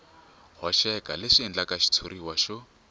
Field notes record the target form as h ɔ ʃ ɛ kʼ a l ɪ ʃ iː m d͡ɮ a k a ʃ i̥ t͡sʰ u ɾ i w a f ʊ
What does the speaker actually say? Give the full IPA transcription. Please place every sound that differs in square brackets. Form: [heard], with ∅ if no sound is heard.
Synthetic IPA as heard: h ɔ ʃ ɛ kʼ a l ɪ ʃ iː [n] d͡ɮ a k a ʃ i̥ t͡sʰ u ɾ i w a [ʃ] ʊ